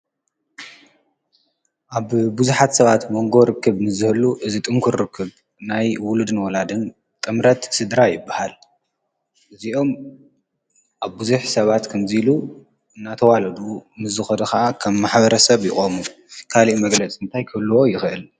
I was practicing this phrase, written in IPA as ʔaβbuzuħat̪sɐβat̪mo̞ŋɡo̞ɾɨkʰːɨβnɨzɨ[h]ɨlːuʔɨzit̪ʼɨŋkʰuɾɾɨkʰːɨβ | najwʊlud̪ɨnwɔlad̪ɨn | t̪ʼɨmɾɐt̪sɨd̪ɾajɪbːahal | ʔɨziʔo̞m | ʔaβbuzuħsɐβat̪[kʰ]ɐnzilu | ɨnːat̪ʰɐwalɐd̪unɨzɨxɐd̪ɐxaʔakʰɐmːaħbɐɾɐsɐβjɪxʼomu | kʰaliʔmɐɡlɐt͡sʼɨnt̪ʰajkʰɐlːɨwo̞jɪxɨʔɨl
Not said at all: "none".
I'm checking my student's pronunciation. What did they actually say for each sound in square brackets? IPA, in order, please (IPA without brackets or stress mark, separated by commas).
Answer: h, kʰ